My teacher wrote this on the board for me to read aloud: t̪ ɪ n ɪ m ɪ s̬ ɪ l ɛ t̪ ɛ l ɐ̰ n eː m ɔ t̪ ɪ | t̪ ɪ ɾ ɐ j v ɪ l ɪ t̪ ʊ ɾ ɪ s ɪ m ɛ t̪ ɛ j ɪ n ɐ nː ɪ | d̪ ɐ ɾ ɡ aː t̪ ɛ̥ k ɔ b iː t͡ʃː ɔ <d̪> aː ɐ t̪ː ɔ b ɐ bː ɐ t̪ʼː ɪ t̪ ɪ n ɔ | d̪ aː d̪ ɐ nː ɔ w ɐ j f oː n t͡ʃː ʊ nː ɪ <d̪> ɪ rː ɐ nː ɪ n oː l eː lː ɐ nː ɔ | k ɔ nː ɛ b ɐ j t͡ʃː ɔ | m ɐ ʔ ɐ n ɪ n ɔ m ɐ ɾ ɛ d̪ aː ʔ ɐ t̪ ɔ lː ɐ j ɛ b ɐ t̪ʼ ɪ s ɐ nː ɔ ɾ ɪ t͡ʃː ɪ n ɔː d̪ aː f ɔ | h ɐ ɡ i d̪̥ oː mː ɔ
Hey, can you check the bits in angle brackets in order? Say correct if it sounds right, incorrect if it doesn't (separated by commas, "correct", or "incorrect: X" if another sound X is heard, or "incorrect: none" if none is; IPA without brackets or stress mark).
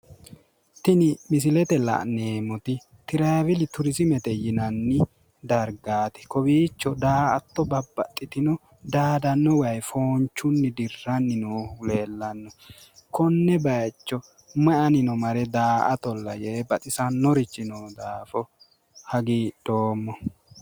correct, correct